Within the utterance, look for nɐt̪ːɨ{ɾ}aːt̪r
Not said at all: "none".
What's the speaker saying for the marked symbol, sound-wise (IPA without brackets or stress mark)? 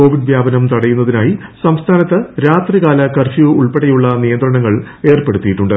ɾ